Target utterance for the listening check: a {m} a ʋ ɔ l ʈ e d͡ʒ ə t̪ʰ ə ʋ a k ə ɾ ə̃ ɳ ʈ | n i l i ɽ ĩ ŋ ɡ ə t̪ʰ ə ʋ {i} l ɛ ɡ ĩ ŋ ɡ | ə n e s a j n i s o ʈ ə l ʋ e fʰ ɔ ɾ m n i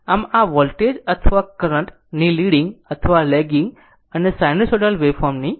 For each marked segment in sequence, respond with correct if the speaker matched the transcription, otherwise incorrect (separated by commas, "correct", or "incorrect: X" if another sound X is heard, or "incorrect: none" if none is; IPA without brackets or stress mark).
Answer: correct, incorrect: a